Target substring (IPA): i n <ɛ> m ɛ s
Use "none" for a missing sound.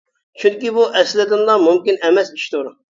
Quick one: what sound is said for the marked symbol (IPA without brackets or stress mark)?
ɛ